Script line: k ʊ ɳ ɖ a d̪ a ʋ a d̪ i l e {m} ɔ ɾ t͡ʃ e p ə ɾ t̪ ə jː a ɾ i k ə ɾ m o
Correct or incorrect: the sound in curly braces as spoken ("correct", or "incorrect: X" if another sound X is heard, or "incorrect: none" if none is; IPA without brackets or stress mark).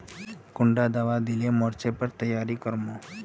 correct